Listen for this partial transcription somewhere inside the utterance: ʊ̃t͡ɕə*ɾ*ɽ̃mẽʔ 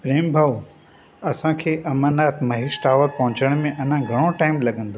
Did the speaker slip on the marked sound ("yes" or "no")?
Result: yes